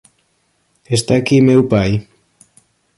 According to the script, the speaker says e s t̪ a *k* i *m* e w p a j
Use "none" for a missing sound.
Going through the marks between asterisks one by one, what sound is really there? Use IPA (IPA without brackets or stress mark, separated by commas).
k, m